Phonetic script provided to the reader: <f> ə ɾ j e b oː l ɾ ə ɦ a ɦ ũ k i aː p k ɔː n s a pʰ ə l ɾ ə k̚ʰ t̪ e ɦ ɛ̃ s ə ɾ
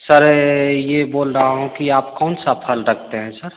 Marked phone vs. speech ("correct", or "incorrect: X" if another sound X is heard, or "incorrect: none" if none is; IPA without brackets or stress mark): incorrect: s